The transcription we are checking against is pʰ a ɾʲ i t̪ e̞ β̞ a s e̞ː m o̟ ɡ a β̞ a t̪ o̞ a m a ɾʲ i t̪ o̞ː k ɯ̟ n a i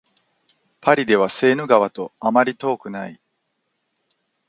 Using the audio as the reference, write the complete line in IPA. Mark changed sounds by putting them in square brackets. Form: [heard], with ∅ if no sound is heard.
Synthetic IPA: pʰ a ɾʲ i [d̪] e̞ β̞ a s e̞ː [n] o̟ ɡ a β̞ a t̪ o̞ a m a ɾʲ i t̪ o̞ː k ɯ̟ n a i